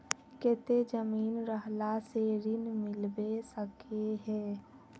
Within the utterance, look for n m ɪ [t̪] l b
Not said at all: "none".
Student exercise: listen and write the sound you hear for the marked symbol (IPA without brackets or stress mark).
none